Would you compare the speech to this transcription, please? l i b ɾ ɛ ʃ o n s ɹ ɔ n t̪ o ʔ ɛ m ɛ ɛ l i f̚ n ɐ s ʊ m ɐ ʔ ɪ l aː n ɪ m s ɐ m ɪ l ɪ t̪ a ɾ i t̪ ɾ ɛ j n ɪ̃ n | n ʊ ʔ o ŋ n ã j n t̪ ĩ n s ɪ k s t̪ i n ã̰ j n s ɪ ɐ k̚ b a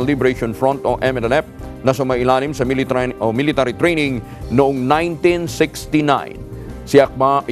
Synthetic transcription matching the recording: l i b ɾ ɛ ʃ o n f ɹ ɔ n t̪ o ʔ ɛ m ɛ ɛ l ɛ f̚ n ɐ s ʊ m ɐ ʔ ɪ l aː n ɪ m s ɐ m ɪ l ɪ t̪ a ɾ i t̪ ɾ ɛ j n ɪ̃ ŋ | n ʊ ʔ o ŋ n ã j n t̪ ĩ n s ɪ k s t̪ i n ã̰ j n s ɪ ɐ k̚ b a